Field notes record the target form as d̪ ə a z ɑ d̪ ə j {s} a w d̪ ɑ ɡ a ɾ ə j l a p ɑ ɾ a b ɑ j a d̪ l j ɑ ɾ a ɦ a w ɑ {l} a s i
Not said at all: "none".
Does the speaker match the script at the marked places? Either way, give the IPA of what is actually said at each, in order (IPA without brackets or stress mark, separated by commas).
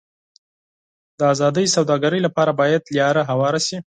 s, ɾ